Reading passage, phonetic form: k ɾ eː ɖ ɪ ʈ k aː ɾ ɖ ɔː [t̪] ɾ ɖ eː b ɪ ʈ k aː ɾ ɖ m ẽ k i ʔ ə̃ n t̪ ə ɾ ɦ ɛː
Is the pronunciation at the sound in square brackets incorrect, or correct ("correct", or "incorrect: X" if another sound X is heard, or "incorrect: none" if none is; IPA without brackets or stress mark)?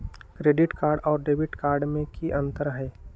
incorrect: none